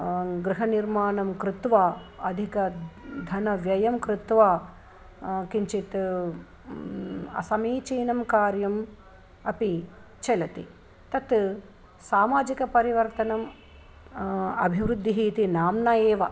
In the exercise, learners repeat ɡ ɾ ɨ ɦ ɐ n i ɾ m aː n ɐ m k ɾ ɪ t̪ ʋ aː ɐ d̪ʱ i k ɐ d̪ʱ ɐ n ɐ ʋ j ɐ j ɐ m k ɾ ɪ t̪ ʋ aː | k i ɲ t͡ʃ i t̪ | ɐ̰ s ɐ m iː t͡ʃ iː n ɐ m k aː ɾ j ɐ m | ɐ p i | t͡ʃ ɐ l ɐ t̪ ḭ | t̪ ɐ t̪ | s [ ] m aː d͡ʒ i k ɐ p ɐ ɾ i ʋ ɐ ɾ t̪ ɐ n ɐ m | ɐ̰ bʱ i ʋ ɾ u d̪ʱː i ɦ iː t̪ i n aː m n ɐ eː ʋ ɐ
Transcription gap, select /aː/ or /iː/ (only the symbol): aː